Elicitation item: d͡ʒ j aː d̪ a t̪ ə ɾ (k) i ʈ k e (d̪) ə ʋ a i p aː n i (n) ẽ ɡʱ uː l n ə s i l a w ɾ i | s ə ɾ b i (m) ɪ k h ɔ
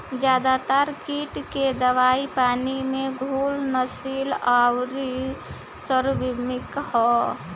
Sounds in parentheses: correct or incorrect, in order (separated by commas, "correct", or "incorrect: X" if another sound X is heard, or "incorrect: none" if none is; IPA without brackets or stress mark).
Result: correct, correct, incorrect: m, correct